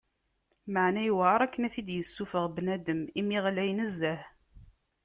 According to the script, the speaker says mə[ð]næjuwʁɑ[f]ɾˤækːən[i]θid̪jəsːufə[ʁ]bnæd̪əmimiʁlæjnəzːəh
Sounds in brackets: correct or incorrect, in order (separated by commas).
incorrect, incorrect, incorrect, correct